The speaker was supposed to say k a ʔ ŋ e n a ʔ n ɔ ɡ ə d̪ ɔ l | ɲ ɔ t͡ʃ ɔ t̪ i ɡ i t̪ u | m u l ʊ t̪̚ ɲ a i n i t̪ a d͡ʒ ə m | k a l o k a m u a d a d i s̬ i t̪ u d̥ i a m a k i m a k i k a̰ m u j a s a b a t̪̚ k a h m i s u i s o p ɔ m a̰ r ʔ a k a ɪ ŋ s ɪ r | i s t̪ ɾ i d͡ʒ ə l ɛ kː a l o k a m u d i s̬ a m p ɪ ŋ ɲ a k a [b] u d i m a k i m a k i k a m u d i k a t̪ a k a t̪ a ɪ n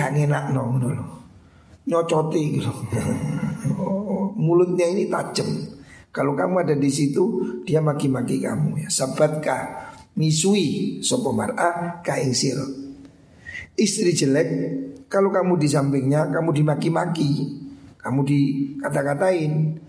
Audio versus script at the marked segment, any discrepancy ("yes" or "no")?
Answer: yes